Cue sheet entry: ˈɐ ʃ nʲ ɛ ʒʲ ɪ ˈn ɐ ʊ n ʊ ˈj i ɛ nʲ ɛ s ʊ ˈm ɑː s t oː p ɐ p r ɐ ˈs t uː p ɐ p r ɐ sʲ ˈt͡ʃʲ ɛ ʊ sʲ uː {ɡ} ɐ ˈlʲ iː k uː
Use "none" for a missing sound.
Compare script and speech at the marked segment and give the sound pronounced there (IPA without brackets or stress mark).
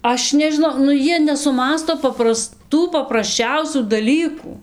d